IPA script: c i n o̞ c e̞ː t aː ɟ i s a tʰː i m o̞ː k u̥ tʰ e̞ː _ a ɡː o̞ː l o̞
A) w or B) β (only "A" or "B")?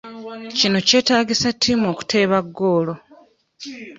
B